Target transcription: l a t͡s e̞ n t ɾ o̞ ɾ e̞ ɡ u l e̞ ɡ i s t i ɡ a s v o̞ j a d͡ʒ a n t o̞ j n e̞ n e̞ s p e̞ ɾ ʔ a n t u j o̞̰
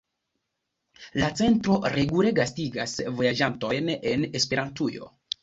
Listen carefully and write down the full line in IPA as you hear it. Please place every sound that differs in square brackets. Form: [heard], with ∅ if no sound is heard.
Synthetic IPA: l a t͡s e̞ n t ɾ o̞ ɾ e̞ ɡ u l e̞ ɡ [a] s t i ɡ a s v o̞ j a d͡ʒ a n t o̞ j n e̞ n e̞ s p e̞ ɾ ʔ a n t u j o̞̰